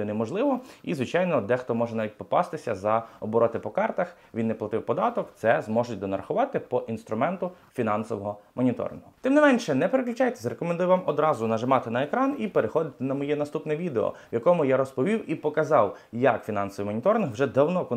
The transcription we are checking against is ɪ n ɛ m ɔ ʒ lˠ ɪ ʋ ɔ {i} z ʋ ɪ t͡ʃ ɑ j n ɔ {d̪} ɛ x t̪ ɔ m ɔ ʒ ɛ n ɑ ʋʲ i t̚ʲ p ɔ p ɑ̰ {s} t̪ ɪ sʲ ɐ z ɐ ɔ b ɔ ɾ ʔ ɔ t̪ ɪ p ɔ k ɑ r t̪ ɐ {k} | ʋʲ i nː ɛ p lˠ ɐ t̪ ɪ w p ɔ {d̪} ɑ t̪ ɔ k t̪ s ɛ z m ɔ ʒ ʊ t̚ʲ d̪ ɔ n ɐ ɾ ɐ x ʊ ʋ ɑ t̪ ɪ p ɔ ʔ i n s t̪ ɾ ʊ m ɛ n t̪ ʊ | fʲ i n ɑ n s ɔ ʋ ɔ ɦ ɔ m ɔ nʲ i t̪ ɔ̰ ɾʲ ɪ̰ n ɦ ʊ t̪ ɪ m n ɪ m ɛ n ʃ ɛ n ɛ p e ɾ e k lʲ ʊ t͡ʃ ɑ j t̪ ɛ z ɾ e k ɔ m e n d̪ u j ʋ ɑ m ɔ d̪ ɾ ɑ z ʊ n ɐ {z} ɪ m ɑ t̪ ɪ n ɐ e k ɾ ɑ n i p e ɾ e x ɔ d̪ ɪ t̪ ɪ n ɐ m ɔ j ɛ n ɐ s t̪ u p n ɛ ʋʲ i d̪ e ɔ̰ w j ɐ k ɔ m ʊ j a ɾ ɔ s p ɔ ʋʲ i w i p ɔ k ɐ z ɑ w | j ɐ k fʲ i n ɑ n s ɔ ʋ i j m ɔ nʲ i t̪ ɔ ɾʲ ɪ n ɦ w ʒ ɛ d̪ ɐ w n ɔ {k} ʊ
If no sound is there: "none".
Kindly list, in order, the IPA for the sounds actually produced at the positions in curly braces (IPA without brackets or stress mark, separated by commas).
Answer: i, d̪, s, x, d̪, ʒ, k